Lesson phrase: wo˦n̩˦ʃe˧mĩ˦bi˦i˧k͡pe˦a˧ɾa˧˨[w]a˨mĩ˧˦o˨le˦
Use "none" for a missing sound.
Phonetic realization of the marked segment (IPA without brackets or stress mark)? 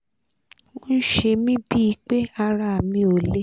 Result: none